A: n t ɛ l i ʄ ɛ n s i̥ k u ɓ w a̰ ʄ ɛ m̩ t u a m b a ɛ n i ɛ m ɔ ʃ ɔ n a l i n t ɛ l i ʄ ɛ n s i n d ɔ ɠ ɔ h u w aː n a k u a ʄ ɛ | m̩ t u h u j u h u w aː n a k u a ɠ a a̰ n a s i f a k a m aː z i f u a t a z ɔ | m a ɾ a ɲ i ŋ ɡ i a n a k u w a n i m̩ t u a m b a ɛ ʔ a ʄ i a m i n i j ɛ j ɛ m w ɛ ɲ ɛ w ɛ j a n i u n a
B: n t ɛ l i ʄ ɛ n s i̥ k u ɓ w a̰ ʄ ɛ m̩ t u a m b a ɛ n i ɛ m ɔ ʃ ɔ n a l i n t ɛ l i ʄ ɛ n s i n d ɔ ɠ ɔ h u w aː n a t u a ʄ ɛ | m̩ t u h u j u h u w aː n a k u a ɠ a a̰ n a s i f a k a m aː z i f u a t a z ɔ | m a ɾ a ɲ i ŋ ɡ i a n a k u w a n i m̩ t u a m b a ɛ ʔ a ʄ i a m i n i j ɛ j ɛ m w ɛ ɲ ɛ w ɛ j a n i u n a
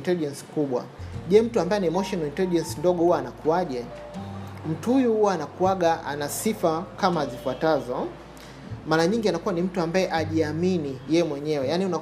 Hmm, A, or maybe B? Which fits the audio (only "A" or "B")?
A